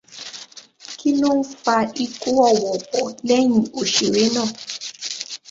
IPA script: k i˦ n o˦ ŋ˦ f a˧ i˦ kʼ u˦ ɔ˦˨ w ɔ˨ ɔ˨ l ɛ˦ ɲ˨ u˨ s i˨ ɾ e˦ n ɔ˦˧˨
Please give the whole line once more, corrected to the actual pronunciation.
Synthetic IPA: k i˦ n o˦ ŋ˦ f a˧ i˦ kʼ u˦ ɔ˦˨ w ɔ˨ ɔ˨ l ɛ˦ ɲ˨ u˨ ʃ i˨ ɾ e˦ n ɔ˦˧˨